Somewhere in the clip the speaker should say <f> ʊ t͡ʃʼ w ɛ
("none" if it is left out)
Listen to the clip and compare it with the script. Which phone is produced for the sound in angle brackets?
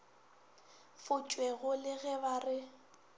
f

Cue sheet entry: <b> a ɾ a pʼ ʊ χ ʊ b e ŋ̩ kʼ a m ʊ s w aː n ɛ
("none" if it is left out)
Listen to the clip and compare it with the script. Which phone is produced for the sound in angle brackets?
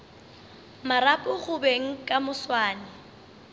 m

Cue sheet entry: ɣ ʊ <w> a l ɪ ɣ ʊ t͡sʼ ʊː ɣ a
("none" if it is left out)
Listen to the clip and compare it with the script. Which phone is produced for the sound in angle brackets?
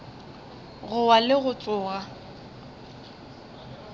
w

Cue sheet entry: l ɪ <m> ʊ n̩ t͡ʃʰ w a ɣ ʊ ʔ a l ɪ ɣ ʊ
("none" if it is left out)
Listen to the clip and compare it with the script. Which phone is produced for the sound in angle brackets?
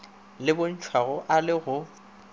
b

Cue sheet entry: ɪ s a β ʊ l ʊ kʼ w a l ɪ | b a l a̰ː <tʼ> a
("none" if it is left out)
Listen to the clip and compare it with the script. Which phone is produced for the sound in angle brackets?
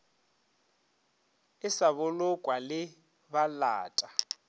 tʼ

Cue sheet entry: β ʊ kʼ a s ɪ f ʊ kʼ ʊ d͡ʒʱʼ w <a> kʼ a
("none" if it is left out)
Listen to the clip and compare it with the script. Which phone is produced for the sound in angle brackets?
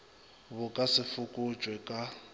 ɛ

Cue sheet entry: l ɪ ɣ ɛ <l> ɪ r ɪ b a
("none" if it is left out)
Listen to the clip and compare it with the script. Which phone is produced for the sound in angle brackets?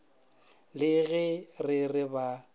r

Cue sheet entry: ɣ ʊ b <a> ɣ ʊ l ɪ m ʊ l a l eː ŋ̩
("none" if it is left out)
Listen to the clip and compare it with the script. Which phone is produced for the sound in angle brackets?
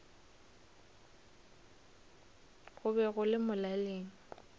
ɛ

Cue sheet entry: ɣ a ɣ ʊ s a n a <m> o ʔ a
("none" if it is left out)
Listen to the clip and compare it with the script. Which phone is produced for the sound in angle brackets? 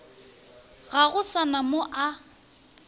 m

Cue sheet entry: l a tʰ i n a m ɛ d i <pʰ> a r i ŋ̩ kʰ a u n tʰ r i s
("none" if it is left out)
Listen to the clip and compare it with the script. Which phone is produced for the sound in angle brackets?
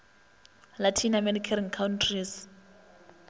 kʰ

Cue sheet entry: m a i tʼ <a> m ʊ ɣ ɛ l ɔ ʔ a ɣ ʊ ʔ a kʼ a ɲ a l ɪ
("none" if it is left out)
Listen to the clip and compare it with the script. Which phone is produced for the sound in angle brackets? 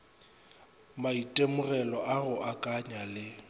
e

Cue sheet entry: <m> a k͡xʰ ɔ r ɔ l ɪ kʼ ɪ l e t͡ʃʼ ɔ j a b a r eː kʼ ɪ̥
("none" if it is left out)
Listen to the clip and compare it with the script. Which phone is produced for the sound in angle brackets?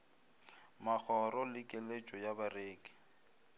m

